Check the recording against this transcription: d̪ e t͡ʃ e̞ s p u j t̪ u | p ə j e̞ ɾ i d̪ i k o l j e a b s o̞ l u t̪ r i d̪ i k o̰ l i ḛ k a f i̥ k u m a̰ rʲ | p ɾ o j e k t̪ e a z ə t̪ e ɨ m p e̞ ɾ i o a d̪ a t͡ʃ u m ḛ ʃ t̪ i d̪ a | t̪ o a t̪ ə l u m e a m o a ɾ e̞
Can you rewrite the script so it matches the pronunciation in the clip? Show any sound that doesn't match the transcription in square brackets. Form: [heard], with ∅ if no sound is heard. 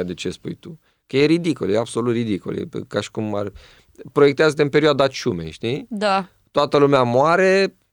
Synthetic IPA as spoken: d̪ e t͡ʃ e̞ s p u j t̪ u | [k] ə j e̞ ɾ i d̪ i k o l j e a b s o̞ l u t̪ r i d̪ i k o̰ l [j] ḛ k a [ʃ] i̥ k u m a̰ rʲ | p ɾ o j e k t̪ e a z ə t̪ e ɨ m p e̞ ɾ i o a d̪ a t͡ʃ u m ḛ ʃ t̪ i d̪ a | t̪ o a t̪ ə l u m e a m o a ɾ e̞